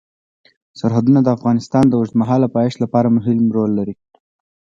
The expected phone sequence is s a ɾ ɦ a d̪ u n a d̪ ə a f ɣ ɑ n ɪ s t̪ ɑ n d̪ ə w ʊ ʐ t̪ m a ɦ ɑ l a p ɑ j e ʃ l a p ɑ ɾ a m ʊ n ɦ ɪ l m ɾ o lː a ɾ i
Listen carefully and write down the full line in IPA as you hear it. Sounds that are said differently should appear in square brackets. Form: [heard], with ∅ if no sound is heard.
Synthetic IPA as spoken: s a ɾ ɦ a d̪ u n a d̪ ə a f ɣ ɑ n ɪ s t̪ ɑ n d̪ ə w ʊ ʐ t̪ m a ɦ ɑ l a p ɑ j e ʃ l a p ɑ ɾ a m ʊ [∅] ɦ ɪ l m ɾ o lː a ɾ i